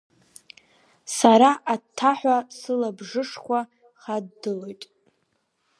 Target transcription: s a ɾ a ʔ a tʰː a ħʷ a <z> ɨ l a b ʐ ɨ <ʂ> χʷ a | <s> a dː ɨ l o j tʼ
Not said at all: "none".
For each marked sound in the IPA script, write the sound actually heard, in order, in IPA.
s, ʂ, χ

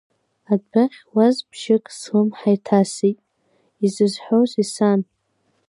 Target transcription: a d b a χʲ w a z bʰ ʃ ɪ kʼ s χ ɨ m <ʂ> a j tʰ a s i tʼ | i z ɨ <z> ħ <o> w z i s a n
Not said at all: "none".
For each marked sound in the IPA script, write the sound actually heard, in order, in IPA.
ħ, z, o

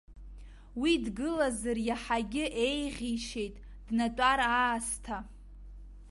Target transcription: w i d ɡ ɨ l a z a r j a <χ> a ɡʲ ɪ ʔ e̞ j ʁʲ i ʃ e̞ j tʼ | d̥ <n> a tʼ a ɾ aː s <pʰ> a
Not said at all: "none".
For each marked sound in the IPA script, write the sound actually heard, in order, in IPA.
ħ, n, tʰ

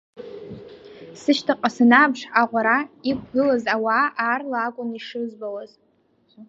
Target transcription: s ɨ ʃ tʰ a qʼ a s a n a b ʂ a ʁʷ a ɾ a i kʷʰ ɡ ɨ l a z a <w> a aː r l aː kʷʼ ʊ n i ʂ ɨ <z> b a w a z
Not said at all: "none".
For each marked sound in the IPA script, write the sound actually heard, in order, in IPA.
w, z

